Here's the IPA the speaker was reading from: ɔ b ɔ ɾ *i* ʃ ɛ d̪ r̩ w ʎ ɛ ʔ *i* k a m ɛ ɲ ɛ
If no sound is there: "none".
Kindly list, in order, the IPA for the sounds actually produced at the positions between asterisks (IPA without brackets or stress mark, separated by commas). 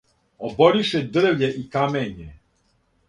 i, i